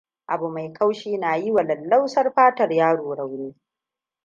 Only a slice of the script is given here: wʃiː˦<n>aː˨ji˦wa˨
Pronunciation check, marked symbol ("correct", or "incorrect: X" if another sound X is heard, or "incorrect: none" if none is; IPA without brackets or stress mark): correct